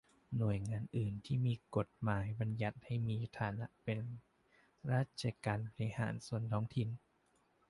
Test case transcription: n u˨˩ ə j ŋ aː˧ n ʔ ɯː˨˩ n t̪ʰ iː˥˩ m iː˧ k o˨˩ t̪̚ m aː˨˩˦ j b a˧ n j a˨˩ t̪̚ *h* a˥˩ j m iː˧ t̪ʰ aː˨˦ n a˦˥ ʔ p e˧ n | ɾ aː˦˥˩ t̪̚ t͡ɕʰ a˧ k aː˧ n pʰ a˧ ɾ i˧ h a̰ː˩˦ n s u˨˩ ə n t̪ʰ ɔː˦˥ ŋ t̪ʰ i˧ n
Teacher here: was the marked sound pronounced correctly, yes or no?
yes